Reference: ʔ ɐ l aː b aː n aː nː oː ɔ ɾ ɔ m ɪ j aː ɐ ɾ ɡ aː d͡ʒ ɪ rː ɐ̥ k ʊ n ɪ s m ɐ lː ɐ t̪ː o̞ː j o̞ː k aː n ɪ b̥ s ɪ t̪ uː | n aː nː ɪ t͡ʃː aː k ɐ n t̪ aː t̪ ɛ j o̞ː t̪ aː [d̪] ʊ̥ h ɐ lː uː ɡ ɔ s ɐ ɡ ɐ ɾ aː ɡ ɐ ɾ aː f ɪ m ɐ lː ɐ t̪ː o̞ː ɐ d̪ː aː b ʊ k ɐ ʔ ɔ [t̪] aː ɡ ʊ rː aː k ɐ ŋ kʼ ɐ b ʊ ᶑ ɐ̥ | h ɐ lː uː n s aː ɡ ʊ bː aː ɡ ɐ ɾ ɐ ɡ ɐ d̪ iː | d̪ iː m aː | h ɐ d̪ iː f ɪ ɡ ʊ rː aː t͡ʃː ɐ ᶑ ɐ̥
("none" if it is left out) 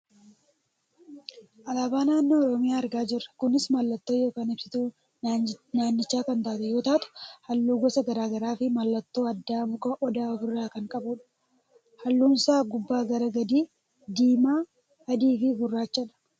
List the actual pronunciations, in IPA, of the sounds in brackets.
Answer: t̪, d̪

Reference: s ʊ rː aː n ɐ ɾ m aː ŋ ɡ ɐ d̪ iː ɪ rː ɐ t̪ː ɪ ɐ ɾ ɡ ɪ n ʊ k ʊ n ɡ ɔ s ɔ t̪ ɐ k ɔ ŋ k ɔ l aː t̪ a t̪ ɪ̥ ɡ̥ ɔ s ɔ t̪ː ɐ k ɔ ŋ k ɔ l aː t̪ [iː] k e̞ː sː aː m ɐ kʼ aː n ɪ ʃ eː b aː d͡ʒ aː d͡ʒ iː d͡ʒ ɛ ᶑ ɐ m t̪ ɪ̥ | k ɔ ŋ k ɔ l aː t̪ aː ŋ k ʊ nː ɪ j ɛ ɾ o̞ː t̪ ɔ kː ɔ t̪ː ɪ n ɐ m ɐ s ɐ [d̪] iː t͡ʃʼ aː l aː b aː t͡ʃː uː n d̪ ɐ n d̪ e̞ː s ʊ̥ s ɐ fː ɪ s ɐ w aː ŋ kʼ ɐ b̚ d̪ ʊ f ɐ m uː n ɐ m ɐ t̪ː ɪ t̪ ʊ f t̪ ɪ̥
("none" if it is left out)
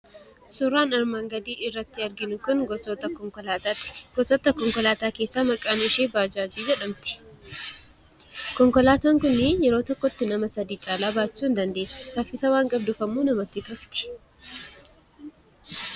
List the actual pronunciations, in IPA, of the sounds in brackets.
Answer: aː, d̪

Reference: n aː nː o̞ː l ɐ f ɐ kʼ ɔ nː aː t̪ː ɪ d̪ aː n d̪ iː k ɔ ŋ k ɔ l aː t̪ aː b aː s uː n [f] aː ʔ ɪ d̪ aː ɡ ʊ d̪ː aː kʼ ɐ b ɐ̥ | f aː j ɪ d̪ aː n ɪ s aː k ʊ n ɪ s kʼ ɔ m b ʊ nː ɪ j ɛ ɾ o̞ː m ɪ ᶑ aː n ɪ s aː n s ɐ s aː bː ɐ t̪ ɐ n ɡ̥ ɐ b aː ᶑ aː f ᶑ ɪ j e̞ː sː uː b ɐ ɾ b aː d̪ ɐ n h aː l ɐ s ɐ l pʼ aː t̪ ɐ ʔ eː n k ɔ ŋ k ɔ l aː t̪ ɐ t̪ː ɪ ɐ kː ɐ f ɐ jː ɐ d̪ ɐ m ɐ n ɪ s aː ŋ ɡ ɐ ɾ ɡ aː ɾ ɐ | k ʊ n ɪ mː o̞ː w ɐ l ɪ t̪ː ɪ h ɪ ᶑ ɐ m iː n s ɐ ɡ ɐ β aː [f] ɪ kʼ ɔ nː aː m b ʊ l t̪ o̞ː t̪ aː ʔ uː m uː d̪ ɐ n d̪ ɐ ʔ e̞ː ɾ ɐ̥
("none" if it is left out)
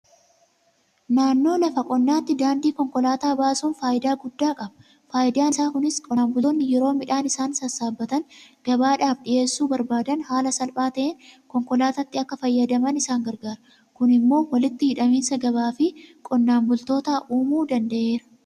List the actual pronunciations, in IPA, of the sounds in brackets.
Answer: f, f

